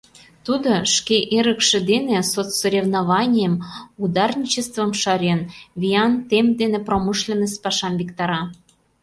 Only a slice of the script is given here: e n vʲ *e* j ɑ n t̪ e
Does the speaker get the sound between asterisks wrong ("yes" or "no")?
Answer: yes